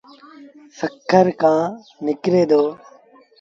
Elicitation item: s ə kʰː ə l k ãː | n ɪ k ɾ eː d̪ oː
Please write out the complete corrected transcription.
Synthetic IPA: s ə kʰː ə ɾ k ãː | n ɪ k ɾ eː d̪ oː